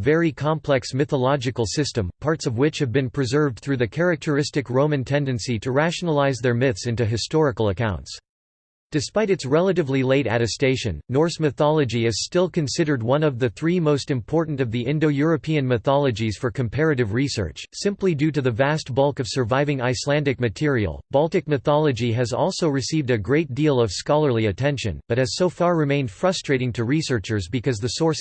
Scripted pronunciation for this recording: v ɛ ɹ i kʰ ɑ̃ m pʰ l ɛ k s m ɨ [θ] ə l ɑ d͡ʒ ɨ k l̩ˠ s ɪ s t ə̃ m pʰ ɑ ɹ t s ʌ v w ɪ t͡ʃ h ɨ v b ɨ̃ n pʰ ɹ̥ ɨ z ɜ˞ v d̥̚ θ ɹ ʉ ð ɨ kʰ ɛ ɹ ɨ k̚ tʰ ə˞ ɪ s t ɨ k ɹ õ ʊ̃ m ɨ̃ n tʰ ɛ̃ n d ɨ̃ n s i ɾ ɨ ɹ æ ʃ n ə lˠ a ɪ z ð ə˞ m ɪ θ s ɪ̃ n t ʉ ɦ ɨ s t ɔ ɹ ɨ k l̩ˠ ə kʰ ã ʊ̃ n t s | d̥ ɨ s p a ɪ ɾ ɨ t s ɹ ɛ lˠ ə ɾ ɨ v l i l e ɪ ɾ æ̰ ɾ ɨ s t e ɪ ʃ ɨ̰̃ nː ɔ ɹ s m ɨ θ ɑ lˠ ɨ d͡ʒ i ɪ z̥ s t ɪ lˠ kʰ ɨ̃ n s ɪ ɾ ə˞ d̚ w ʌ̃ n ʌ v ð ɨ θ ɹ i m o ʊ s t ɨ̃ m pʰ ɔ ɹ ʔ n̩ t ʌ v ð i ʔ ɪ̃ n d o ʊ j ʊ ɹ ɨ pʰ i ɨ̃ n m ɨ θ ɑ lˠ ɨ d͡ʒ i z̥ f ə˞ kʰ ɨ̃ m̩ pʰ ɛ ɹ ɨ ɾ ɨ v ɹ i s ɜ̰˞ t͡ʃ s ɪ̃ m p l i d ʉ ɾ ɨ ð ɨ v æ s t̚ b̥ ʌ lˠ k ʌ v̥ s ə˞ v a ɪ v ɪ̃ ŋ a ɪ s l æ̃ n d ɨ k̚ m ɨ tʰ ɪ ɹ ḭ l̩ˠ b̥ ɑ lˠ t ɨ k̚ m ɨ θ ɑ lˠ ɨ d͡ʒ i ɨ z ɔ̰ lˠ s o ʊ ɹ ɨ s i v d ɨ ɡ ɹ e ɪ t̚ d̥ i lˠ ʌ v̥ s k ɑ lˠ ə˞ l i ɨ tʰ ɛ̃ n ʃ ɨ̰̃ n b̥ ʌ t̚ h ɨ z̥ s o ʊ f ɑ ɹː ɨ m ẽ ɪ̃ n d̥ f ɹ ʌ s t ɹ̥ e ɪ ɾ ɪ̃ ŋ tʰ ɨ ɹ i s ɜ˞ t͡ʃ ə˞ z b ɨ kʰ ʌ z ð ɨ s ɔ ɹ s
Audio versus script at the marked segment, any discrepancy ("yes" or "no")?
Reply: no